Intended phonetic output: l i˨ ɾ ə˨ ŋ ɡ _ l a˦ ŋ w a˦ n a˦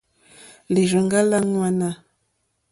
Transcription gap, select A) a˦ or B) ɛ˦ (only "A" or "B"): A